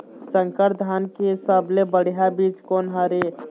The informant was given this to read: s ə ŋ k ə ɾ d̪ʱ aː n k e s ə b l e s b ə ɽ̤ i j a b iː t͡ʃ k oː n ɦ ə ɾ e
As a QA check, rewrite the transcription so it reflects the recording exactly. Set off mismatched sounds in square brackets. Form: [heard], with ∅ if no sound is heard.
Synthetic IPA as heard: s ə ŋ k ə ɾ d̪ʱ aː n k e s ə b l e [∅] b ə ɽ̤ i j a b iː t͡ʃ k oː n ɦ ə ɾ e